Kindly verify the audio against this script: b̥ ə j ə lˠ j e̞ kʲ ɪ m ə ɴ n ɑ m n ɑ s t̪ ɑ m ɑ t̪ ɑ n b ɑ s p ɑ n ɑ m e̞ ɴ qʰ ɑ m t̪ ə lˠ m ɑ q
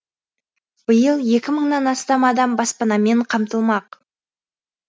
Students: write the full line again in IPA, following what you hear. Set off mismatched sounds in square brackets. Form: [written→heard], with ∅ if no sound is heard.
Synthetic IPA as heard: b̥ ə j ə lˠ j e̞ kʲ ɪ m ə ɴ n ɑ [m→∅] n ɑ s t̪ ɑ m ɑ [t̪→d̪] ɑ [n→m] b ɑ s p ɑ n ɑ m e̞ ɴ qʰ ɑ m t̪ ə lˠ m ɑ q